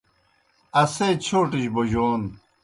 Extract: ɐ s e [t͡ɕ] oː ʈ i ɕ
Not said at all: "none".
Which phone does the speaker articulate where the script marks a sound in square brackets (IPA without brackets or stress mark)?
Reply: t͡ɕʰ